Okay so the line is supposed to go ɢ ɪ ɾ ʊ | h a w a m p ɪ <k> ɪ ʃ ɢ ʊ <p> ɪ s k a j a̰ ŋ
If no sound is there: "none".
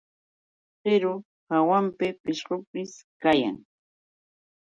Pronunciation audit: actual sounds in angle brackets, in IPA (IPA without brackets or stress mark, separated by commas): p, p